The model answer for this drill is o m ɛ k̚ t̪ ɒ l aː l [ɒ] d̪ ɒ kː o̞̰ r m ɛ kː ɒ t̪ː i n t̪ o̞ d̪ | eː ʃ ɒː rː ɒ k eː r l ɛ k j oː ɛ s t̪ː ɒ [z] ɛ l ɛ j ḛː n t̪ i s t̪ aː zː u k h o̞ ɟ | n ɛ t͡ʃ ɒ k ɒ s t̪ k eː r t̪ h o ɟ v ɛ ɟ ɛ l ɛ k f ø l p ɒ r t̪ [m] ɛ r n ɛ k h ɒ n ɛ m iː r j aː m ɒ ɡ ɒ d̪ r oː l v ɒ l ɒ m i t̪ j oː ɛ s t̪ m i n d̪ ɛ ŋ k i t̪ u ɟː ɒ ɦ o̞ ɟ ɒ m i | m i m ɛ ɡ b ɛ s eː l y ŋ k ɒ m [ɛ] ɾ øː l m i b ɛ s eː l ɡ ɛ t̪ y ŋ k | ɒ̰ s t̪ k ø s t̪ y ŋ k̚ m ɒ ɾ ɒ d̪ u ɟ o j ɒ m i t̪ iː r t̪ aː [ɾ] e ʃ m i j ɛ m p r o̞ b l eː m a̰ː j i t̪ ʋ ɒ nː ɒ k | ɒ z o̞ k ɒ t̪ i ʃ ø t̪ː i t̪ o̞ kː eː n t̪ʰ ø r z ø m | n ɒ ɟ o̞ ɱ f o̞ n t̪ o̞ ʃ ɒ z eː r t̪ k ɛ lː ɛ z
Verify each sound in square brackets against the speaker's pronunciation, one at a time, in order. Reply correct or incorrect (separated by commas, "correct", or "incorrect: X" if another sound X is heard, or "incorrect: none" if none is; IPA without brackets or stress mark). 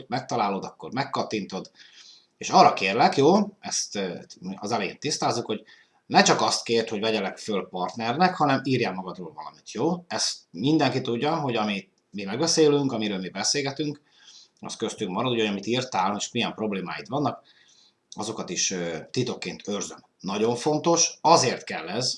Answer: incorrect: o, correct, incorrect: n, incorrect: i, incorrect: l